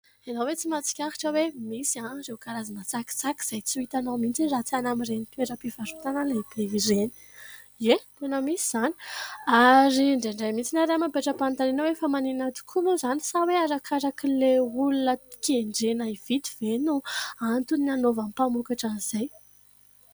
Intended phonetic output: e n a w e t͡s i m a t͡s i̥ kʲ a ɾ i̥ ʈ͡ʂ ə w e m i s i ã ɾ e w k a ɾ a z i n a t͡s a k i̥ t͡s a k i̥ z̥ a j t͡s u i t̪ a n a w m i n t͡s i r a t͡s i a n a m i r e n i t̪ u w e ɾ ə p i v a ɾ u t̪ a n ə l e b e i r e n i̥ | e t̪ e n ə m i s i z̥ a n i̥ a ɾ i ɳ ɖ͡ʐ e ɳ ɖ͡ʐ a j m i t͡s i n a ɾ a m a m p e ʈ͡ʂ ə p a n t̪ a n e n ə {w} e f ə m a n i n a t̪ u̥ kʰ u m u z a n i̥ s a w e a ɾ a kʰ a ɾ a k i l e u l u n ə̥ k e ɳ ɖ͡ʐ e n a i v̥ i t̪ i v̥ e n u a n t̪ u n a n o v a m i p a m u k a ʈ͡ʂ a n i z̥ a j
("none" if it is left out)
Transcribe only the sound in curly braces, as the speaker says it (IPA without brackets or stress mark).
w